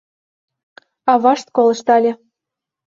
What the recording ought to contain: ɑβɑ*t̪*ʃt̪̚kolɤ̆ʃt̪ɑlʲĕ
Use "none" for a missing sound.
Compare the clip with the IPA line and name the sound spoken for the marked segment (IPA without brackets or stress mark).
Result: none